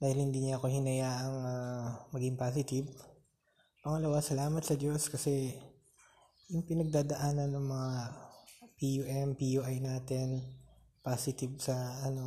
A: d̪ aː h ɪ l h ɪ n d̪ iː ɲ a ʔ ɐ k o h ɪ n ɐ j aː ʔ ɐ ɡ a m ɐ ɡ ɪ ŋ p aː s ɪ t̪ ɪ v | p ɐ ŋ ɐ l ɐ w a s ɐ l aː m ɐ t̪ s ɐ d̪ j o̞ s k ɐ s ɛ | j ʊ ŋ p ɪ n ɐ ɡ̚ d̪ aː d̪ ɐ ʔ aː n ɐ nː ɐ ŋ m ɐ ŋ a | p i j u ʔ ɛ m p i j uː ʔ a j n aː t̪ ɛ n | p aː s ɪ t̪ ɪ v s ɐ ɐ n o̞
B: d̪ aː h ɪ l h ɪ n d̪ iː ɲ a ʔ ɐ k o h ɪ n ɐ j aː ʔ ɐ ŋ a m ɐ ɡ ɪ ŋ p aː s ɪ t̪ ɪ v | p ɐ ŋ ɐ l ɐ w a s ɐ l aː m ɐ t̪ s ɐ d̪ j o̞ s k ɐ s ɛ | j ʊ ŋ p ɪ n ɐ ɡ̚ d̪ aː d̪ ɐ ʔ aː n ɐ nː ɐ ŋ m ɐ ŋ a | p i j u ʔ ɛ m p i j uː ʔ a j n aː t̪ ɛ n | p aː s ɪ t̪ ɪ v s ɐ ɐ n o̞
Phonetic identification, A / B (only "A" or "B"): B